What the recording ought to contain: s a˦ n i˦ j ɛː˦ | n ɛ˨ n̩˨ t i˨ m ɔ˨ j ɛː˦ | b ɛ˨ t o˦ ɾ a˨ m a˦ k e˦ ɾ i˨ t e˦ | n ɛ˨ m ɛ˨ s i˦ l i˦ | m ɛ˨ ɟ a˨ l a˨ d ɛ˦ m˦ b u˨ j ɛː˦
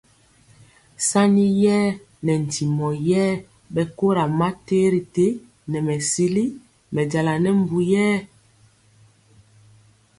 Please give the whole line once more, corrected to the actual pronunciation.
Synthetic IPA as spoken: s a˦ n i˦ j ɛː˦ | n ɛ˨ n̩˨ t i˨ m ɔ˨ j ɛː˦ | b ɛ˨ k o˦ ɾ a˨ m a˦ t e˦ ɾ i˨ t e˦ | n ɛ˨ m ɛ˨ s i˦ l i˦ | m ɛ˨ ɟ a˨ l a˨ n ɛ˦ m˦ b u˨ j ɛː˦